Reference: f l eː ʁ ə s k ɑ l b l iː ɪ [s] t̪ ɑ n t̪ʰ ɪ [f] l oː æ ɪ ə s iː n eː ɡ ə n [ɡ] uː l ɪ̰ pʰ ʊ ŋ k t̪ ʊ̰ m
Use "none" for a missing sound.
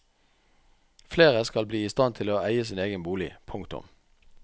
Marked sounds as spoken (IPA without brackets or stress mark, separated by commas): s, none, b